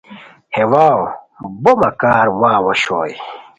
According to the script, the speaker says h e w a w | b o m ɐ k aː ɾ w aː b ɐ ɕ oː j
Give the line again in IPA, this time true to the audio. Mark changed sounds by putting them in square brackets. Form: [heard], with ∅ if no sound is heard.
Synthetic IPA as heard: h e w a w | b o m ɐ k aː ɾ w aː [w] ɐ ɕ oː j